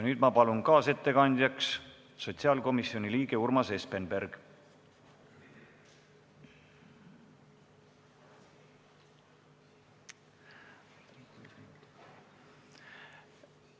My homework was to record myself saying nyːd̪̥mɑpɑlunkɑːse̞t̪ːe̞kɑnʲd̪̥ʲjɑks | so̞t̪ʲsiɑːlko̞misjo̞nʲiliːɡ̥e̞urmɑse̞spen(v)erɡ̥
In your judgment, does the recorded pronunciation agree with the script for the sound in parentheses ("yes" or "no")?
no